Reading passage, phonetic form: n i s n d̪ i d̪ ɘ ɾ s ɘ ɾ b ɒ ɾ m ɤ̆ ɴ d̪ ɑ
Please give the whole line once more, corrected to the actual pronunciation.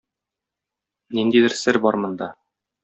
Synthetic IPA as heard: n i n d̪ i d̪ ɘ ɾ s ɘ ɾ b ɒ ɾ m ɤ̆ n d̪ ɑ